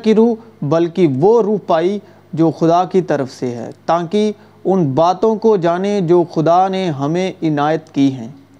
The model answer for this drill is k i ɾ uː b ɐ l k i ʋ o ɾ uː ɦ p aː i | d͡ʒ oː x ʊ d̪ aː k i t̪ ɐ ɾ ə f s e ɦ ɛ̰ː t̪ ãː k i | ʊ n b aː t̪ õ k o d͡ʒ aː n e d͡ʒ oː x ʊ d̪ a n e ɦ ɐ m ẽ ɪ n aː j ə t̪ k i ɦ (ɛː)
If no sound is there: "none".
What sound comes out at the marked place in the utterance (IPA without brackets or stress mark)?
ɛ̃ː